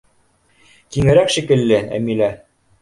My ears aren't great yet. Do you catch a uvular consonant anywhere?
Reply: no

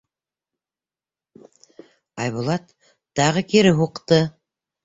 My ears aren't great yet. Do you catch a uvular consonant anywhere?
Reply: yes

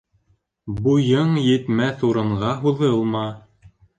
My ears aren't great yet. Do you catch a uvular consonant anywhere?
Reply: yes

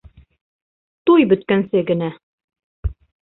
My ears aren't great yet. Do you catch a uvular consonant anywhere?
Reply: no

